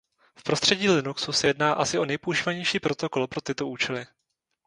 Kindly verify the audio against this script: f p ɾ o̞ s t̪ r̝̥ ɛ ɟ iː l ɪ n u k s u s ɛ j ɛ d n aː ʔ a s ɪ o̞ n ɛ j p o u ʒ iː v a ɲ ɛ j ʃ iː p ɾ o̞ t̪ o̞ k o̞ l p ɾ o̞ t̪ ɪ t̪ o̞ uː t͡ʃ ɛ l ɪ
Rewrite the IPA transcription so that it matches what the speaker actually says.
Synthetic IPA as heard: f p ɾ o̞ s t̪ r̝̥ ɛ ɟ iː l ɪ n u k s u s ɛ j ɛ d n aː ʔ a s ɪ o̞ n ɛ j p o u ʒ iː v a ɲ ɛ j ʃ iː p ɾ o̞ t̪ o̞ k o̞ l p ɾ o̞ t̪ ɪ t̪ o̞ uː t͡ʃ ɛ l ɪ